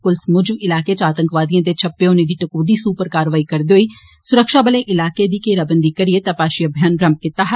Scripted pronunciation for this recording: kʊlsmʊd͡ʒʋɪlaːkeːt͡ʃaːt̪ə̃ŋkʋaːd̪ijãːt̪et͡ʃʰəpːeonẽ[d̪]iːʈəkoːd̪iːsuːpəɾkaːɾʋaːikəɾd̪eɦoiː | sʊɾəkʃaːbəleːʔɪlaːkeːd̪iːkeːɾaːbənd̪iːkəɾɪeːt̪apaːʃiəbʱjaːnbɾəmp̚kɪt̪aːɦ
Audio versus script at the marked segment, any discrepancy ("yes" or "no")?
no